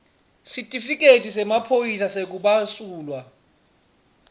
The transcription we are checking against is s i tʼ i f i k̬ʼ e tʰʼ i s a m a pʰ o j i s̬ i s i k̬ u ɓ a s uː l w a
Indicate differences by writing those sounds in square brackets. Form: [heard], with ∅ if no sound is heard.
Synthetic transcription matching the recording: s i tʼ i f i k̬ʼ e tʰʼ i s [ɛ] m a pʰ o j i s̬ [a] s [e] k̬ u ɓ a s uː l w a